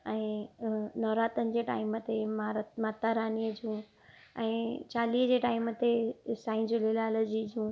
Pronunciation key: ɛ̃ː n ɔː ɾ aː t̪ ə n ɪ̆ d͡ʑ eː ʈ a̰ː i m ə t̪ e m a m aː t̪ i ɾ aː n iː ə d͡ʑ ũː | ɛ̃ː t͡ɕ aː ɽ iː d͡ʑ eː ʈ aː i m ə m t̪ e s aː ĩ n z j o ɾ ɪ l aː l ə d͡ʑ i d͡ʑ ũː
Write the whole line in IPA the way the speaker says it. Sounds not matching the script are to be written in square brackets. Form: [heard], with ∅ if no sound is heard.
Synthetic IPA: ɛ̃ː n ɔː ɾ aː t̪ ə n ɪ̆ d͡ʑ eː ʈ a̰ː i m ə t̪ e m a m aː t̪ [a] ɾ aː n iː ə d͡ʑ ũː | ɛ̃ː t͡ɕ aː [l] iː d͡ʑ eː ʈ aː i m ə [∅] t̪ e s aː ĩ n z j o [l] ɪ l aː l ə d͡ʑ i d͡ʑ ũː

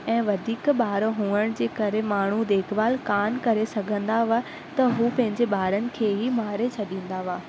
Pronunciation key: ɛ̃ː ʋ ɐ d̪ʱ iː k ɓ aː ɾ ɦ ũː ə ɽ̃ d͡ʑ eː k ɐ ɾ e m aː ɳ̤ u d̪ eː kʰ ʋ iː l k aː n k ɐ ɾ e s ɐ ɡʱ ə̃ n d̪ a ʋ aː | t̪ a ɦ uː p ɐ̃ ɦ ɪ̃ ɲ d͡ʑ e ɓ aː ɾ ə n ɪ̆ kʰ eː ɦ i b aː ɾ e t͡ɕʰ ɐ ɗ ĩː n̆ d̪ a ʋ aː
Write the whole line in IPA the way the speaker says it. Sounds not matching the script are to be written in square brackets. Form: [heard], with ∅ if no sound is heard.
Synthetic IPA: ɛ̃ː ʋ ɐ d̪ʱ iː k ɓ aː ɾ ɦ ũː ə ɽ̃ d͡ʑ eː k ɐ ɾ e m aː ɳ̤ u d̪ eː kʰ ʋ [aː] l k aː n k ɐ ɾ e s ɐ ɡʱ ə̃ n d̪ a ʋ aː | t̪ [ɐ] ɦ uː p ɐ̃ ɦ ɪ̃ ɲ d͡ʑ e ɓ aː ɾ ə n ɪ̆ kʰ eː ɦ i [m] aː ɾ e t͡ɕʰ ɐ ɗ ĩː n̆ d̪ a ʋ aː

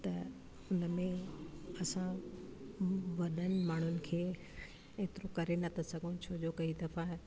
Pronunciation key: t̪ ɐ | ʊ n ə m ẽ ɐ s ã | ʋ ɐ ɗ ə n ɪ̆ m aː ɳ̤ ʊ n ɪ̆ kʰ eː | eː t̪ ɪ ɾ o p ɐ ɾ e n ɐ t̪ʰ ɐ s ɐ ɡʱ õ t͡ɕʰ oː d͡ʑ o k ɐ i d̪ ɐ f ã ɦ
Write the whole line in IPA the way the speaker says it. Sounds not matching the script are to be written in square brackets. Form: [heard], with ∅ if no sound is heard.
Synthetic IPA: t̪ ɐ | ʊ n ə m ẽ ɐ s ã | ʋ ɐ ɗ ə n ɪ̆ m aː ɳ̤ ʊ n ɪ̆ kʰ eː | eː t̪ ɪ ɾ o [k] ɐ ɾ e n ɐ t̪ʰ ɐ s ɐ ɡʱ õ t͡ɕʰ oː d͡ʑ o k ɐ i d̪ ɐ f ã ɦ

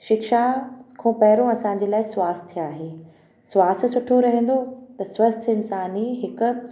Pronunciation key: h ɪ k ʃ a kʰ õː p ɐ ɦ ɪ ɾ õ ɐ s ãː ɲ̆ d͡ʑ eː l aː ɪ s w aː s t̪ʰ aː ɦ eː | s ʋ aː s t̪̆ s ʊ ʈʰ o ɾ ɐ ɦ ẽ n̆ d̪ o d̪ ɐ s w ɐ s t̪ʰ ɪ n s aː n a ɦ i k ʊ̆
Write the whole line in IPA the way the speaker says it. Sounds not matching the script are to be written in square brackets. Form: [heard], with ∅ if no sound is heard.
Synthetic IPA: [ʃ] ɪ k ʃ a kʰ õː p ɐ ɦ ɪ ɾ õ ɐ s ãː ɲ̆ d͡ʑ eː l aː ɪ s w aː s t̪ʰ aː ɦ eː | s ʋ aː s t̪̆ s ʊ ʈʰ o ɾ ɐ ɦ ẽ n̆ d̪ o [t̪] ɐ s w ɐ s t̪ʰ ɪ n s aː n [i] ɦ [ɪ] k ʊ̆

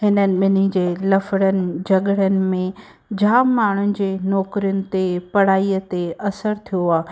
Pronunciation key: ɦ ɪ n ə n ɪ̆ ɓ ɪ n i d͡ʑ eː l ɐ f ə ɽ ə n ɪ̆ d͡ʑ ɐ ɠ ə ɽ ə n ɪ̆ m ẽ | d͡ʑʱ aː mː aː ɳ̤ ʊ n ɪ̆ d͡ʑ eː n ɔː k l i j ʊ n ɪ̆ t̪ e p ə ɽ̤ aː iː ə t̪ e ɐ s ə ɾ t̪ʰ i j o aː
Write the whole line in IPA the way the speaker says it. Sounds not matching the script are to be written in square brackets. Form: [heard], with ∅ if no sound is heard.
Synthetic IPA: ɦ ɪ n ə n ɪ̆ ɓ ɪ n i d͡ʑ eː l ɐ f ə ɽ ə n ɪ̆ d͡ʑ ɐ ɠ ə ɽ ə n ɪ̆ m ẽ | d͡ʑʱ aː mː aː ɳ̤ ʊ n ɪ̆ d͡ʑ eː n ɔː k [ɾ] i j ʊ n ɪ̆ t̪ e p [ɐ] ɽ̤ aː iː ə t̪ e ɐ s ə ɾ t̪ʰ i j o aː

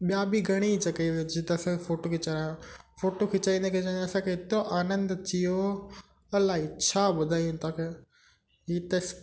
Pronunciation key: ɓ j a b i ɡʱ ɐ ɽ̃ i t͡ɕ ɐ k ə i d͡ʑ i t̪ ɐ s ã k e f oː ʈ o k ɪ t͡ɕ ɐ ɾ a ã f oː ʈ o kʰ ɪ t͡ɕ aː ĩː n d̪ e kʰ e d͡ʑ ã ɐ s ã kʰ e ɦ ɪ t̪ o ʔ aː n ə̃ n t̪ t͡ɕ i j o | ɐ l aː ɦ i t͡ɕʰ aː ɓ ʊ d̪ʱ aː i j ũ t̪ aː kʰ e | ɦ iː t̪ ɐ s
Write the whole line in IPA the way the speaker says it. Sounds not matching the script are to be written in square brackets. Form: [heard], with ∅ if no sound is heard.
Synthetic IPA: ɓ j a b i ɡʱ ɐ ɽ̃ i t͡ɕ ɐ k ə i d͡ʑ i t̪ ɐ s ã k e f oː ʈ o k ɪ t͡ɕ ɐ ɾ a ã f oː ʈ o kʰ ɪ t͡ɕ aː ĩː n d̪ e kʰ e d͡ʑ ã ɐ s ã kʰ e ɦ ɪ t̪ o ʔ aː n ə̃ n [d̪] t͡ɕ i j o | ɐ l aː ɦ i t͡ɕʰ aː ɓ ʊ d̪ʱ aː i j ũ t̪ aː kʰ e | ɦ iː t̪ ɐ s

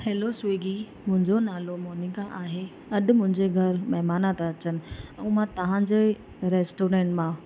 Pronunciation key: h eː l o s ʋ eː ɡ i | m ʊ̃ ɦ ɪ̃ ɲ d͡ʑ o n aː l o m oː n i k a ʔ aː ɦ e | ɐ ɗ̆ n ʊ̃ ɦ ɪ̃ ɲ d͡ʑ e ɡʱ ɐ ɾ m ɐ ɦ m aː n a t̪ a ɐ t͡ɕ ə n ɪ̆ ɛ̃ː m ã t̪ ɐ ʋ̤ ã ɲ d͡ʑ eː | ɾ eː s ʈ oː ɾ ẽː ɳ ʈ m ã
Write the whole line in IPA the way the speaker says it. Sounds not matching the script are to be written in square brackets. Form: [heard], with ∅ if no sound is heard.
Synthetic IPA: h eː l o s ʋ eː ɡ i | m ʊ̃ ɦ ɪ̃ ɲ d͡ʑ o n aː l o m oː n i k a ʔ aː ɦ e | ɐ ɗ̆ [m] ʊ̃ ɦ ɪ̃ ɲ d͡ʑ e ɡʱ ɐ ɾ m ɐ ɦ m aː n a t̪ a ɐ t͡ɕ ə n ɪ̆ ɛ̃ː m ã t̪ ɐ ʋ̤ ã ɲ d͡ʑ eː | ɾ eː s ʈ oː ɾ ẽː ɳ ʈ m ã

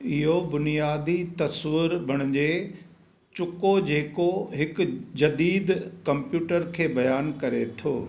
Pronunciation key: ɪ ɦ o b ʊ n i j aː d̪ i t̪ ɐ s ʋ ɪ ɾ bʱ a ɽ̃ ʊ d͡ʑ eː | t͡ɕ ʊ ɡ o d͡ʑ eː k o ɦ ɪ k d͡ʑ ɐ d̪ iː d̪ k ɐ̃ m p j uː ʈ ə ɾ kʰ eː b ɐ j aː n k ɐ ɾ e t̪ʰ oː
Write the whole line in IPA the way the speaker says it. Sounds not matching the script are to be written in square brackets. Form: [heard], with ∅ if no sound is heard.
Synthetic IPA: ɪ ɦ o b ʊ n i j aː d̪ i t̪ ɐ s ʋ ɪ ɾ bʱ [ɐ] ɽ̃ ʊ d͡ʑ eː | t͡ɕ ʊ [k] o d͡ʑ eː k o ɦ ɪ k d͡ʑ ɐ d̪ iː d̪ k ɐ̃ m p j uː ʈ ə ɾ kʰ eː b ɐ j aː n k ɐ ɾ e t̪ʰ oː

